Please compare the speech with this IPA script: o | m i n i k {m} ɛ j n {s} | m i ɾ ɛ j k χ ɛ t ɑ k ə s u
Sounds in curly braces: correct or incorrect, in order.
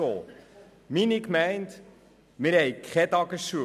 correct, incorrect: t

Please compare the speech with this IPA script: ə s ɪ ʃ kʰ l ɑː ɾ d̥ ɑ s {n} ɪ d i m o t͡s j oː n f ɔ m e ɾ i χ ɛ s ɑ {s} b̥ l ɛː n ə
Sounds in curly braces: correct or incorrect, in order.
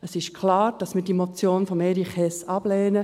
incorrect: m, incorrect: none

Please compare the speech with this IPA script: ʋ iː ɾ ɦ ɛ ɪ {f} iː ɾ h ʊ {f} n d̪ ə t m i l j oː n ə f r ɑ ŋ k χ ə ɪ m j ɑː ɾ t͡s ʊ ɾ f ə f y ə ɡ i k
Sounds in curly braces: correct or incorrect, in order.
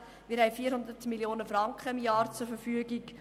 correct, incorrect: none

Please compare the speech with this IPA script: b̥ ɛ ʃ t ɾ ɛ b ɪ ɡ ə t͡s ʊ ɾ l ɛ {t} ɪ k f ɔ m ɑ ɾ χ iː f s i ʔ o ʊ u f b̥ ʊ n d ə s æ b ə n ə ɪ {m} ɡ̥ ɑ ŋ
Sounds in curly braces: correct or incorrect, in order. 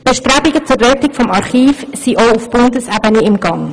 correct, correct

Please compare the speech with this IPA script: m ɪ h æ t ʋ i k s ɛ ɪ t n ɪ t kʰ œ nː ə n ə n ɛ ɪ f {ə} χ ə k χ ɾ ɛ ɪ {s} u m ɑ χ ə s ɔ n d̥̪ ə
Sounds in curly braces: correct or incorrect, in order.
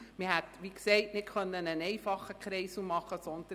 incorrect: ɑ, correct

